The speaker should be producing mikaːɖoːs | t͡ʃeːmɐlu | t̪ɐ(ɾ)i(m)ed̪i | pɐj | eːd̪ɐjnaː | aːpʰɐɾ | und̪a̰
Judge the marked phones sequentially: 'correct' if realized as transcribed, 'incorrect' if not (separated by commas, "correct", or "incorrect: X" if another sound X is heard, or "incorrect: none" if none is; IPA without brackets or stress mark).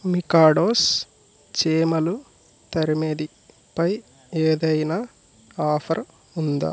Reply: correct, correct